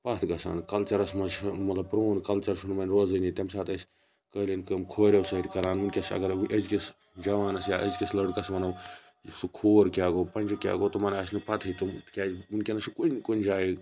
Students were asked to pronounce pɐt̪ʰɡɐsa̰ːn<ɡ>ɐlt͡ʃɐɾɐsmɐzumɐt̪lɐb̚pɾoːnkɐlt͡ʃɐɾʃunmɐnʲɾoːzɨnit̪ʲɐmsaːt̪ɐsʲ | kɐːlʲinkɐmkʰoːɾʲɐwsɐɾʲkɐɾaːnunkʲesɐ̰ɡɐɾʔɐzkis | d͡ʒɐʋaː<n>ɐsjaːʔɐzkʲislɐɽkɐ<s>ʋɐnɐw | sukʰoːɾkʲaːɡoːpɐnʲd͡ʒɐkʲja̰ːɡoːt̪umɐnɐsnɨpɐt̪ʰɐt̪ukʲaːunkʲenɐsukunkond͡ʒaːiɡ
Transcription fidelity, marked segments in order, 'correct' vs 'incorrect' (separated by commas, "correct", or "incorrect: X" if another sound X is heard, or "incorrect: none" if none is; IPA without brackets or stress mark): incorrect: k, correct, correct